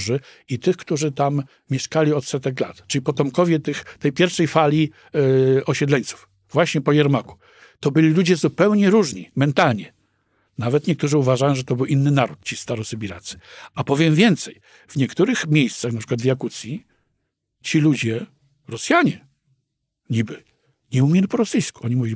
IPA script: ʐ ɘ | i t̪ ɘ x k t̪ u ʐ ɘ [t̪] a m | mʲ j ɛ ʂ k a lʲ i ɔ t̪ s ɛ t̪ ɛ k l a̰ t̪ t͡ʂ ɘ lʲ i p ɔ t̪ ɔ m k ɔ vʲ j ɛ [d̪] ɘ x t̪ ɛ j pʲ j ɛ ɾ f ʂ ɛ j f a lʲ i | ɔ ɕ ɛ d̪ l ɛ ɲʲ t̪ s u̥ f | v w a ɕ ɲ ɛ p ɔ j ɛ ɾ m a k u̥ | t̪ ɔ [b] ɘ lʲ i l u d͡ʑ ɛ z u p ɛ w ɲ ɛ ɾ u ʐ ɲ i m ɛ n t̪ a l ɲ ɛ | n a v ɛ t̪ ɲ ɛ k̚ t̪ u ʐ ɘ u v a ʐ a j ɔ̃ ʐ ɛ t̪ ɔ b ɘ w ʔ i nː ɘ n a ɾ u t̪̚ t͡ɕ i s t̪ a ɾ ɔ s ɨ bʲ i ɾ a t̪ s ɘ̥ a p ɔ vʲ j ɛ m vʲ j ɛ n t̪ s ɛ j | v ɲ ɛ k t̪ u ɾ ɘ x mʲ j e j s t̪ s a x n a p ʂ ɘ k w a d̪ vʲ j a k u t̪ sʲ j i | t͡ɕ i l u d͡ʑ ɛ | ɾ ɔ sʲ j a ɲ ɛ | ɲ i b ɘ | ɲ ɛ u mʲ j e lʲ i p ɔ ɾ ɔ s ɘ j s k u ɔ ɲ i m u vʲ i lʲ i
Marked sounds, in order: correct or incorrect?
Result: correct, incorrect, correct

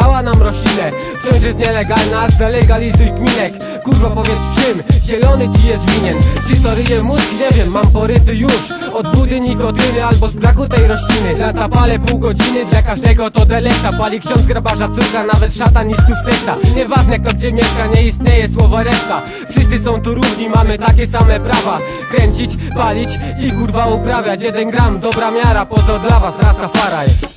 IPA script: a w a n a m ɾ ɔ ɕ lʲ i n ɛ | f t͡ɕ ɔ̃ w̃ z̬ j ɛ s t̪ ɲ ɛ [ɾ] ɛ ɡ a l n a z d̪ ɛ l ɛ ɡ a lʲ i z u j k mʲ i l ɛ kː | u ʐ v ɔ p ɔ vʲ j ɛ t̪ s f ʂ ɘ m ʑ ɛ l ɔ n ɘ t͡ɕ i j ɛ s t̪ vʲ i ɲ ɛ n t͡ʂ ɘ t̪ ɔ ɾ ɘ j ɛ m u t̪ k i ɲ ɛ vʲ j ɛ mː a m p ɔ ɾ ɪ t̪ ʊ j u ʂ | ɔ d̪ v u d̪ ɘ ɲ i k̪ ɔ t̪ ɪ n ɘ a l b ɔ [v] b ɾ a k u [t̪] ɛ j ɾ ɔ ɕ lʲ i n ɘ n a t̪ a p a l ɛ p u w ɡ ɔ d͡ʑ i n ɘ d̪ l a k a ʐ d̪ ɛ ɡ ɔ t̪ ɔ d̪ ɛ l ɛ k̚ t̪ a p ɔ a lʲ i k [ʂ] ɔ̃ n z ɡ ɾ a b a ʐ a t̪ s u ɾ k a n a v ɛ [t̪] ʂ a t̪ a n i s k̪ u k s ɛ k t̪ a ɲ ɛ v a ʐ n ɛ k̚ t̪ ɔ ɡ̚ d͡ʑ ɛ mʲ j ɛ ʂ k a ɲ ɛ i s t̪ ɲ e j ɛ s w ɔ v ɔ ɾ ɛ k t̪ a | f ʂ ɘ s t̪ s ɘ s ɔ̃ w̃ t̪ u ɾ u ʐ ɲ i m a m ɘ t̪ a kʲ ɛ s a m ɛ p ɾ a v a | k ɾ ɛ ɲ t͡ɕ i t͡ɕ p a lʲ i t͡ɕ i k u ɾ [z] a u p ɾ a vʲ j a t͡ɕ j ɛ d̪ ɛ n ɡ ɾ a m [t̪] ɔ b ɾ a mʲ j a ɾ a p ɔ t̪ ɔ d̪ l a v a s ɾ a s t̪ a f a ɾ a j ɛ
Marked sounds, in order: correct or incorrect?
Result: incorrect, incorrect, correct, incorrect, correct, incorrect, incorrect

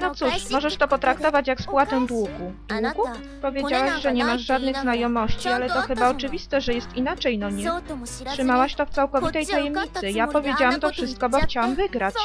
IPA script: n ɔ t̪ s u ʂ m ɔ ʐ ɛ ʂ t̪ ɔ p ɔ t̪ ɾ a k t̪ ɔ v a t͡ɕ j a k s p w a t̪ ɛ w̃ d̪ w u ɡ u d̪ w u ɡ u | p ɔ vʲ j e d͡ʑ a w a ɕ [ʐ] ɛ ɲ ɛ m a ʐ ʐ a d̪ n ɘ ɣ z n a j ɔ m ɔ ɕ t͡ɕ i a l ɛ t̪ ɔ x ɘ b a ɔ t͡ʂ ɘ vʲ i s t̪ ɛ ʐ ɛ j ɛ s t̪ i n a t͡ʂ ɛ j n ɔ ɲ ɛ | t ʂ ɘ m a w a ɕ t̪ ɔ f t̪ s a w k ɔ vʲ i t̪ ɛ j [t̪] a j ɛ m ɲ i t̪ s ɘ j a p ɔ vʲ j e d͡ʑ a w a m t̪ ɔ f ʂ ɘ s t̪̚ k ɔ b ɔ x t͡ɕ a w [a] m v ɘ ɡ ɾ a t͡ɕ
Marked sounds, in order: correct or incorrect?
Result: correct, correct, correct

